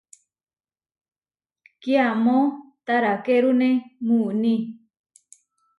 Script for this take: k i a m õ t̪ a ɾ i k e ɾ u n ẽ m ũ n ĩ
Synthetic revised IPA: k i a m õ t̪ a ɾ a k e ɾ u n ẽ m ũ n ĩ